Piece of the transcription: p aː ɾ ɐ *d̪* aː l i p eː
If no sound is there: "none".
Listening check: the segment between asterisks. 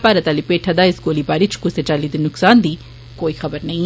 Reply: t̪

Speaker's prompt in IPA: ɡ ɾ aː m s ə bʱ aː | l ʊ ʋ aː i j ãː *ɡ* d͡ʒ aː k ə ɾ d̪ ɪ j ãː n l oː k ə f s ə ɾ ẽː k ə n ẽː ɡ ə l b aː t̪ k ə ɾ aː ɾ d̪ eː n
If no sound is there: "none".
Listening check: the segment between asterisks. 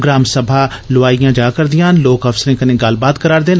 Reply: none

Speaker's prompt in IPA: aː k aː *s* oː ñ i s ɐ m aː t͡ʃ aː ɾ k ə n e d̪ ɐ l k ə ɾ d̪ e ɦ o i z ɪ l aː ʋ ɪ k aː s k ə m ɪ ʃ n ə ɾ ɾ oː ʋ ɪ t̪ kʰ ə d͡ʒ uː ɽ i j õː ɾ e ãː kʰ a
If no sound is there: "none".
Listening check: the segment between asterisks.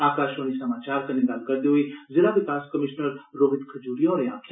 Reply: ʃ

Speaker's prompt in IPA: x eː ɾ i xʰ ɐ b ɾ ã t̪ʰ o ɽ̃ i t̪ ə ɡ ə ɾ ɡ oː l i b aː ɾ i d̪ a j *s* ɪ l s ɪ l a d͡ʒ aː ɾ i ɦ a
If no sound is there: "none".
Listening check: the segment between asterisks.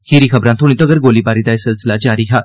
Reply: s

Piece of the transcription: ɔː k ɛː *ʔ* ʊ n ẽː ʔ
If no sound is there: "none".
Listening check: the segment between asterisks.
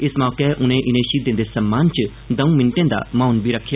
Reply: ʔ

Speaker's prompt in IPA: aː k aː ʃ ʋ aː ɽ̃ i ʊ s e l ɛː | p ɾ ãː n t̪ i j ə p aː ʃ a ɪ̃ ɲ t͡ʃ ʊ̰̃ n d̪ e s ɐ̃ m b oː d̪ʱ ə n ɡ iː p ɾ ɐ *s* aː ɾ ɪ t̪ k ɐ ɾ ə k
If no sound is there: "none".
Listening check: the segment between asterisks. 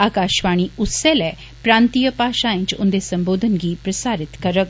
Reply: s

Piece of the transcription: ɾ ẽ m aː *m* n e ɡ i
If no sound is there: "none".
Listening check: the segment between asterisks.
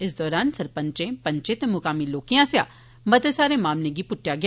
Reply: m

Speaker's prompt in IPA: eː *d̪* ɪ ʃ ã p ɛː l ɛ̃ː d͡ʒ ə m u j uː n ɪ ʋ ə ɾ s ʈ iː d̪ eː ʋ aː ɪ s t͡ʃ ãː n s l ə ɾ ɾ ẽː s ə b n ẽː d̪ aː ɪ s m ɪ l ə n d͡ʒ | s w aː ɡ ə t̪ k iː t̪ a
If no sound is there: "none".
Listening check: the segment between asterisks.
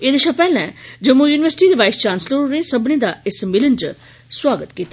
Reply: d̪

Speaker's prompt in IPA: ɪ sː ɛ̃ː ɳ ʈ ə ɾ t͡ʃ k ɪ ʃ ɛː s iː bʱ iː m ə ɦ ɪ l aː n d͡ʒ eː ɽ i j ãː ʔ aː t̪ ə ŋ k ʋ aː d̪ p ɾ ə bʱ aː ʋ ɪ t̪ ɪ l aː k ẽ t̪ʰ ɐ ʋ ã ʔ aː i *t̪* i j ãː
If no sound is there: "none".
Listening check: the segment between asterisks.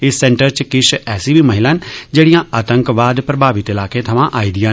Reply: d̪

